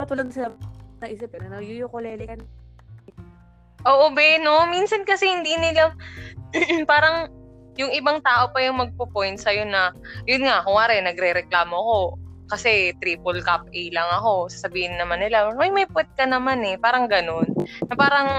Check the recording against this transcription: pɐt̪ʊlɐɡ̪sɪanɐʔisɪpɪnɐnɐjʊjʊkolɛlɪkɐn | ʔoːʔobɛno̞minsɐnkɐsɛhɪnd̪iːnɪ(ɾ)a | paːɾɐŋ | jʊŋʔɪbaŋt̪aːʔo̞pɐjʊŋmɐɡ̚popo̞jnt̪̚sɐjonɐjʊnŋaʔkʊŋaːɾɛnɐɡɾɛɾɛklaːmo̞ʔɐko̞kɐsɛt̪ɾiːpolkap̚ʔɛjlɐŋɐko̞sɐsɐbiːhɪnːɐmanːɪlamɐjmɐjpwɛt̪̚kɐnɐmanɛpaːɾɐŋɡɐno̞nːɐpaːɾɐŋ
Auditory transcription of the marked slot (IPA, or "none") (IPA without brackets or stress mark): l